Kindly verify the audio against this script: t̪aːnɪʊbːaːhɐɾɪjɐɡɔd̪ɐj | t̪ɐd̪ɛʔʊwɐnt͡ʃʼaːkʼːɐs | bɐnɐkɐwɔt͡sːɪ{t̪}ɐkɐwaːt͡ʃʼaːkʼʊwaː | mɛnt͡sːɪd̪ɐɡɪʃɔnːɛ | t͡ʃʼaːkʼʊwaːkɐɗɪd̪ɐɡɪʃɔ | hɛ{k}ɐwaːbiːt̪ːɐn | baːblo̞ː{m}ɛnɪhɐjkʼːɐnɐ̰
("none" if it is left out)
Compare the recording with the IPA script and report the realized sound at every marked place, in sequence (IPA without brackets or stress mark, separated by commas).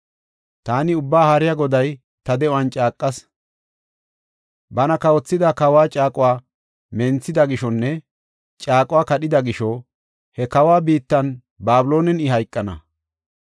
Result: d̪, k, n